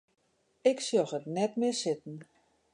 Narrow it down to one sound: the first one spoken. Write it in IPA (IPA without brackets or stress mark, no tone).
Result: ɪ